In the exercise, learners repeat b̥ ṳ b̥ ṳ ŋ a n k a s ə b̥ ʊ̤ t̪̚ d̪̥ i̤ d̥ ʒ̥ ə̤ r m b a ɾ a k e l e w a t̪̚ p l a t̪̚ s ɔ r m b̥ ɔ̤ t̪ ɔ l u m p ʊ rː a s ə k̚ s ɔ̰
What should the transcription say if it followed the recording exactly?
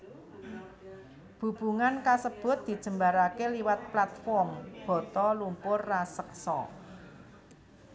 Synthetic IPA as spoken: b̥ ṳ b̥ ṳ ŋ a n k a s ə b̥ ʊ̤ t̪̚ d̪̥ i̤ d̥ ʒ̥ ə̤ m b a ɾ a k e l i w a t̪̚ p l a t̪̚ f ɔ r m b̥ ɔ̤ t̪ ɔ l u m p ʊ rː a s ə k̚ s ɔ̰